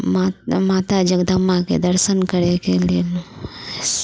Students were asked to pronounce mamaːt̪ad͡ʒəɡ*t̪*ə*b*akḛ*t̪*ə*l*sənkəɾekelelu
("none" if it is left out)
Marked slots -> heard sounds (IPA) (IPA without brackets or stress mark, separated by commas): d̪, m, d̪, ɾ